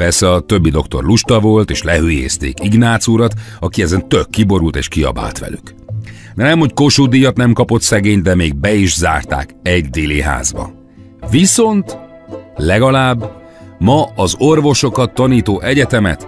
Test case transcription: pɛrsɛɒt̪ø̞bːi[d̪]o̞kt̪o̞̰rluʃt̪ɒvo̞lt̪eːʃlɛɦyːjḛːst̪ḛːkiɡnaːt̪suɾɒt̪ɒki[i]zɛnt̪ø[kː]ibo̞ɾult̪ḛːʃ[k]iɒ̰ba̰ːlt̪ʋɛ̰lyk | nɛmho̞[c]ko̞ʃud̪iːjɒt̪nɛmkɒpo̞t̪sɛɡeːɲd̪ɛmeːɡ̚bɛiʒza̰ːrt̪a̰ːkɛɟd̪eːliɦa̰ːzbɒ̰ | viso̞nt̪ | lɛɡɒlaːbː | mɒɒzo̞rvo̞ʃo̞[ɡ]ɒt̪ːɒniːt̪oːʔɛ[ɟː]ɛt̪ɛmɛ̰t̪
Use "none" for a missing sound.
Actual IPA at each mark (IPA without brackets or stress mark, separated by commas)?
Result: d̪, ɛ, kː, k, c, k, ɟ